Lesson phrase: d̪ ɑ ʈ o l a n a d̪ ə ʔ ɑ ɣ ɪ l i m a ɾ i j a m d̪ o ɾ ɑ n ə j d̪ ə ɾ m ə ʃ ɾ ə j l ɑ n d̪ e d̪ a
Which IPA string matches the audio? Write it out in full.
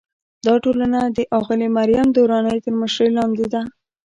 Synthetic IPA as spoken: d̪ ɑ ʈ o l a n a d̪ ə ʔ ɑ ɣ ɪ l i m a ɾ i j a m d̪ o ɾ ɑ n ə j t̪ ə ɾ m ə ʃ ɾ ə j l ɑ n d̪ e d̪ a